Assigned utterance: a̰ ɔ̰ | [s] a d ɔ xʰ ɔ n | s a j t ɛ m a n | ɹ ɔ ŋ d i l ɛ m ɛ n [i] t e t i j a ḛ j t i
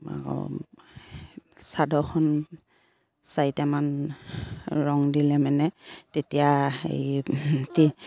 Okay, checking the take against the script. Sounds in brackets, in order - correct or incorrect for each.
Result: correct, incorrect

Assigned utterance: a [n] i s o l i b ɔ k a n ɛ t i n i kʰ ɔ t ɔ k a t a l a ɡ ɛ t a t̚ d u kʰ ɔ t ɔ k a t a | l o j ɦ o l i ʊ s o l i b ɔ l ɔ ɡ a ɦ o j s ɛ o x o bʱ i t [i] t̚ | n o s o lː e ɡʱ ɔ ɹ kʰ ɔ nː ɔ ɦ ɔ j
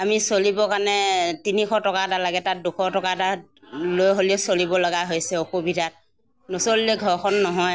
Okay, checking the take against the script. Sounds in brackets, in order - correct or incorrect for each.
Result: incorrect, incorrect

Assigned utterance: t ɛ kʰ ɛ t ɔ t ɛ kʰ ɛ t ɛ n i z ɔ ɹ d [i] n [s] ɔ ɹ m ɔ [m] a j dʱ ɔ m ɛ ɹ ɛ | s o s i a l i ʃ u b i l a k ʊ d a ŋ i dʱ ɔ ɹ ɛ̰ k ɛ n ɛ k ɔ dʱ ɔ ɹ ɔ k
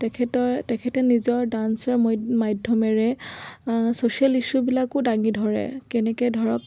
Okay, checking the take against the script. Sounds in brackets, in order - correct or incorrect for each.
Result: incorrect, correct, correct

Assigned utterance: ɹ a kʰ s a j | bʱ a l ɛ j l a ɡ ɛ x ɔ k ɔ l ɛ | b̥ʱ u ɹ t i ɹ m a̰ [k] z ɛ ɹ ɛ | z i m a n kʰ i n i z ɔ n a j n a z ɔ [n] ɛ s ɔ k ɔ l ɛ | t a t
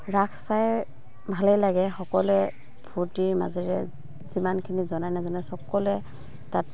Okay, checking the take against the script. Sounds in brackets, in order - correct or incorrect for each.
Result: incorrect, correct

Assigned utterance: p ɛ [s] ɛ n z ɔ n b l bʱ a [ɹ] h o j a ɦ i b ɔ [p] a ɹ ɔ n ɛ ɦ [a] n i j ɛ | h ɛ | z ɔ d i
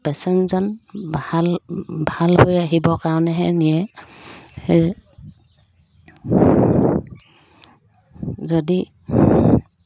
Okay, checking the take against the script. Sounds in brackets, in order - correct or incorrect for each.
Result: correct, incorrect, incorrect, incorrect

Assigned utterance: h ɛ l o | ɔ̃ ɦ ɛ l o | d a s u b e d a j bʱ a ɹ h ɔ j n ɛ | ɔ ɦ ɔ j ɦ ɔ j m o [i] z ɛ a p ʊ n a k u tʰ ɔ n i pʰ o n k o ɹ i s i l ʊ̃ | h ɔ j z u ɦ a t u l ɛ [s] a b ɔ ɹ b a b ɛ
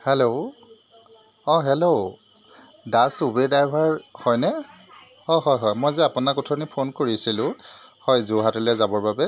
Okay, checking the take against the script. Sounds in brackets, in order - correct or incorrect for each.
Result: incorrect, incorrect

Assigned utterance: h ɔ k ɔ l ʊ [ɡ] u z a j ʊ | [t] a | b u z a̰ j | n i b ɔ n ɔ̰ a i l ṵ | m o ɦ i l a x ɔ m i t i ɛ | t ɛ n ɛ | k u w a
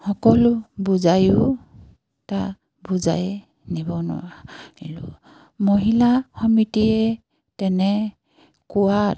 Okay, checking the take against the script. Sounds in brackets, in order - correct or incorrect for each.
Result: incorrect, correct

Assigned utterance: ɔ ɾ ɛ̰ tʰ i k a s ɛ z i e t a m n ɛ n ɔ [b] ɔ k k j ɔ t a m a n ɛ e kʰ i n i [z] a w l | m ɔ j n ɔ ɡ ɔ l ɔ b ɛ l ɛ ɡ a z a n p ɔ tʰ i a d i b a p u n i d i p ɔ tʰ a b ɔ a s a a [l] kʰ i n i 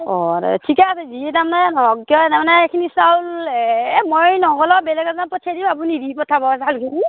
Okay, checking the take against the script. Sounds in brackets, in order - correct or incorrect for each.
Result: incorrect, incorrect, correct

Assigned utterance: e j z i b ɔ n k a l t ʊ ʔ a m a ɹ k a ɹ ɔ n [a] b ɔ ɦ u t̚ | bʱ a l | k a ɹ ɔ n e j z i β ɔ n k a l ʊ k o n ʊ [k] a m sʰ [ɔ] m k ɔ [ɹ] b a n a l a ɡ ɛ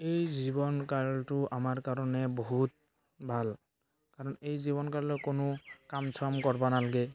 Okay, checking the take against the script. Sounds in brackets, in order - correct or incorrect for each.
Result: incorrect, correct, correct, correct

